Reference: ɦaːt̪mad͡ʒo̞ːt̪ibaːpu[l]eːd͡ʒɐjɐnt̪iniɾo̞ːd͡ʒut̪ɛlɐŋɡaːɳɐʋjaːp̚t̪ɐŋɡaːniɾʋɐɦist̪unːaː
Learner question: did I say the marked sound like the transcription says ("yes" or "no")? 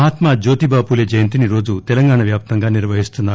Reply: yes